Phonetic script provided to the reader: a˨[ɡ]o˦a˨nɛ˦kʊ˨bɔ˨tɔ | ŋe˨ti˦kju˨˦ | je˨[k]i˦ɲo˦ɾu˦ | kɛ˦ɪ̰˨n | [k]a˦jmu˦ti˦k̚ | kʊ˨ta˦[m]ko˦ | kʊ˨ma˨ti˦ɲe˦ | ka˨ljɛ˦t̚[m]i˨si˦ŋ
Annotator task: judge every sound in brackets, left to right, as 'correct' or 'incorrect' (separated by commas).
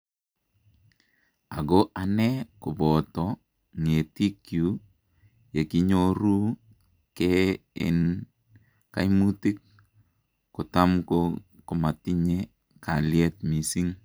correct, correct, correct, correct, correct